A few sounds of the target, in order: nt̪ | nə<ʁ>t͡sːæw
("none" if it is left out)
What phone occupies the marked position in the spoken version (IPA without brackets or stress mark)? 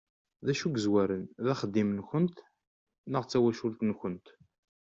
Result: ʁ